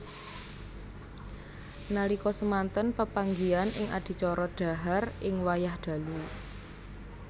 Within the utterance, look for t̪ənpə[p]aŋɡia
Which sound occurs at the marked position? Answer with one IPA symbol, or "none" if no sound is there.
p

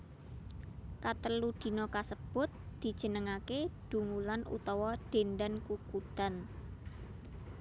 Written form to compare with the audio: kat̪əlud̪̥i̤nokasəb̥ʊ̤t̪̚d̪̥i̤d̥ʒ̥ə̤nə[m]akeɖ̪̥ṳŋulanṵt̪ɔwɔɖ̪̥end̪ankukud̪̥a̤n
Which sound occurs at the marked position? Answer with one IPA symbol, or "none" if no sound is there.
ŋ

